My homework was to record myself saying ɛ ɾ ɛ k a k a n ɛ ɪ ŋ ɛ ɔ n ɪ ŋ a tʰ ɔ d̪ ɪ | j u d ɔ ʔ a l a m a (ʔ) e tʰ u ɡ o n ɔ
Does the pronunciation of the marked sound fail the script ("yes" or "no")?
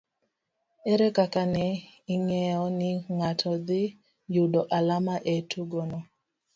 no